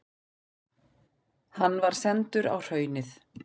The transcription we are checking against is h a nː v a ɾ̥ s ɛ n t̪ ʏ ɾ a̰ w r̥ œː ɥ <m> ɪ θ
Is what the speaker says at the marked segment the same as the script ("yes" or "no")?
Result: no